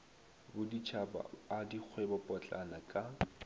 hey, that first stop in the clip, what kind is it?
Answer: plain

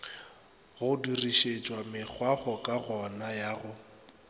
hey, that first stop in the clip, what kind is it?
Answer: plain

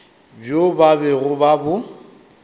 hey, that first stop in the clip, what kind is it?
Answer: plain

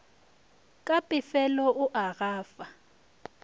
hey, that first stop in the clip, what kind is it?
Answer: ejective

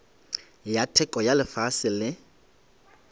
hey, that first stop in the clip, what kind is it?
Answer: aspirated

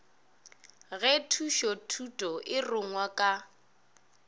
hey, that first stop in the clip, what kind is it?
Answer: aspirated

